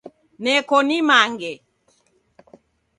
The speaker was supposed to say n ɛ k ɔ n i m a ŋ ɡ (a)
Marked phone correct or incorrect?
incorrect